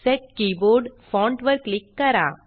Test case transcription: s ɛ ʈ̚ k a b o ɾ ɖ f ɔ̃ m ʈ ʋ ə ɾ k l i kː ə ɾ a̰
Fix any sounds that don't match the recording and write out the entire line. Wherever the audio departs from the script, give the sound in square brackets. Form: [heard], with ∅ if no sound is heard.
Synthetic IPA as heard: s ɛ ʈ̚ k [i] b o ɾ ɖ f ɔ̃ [ɳ] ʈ ʋ ə ɾ k l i kː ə ɾ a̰